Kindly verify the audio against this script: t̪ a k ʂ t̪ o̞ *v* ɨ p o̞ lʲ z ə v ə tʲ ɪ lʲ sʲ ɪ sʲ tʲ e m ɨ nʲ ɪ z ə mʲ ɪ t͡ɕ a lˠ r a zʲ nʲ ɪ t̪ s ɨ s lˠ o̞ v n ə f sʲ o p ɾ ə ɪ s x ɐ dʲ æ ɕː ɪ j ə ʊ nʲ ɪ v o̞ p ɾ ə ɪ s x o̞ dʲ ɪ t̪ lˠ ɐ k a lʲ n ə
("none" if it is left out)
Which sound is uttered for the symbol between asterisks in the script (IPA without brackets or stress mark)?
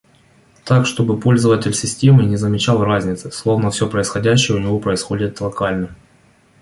b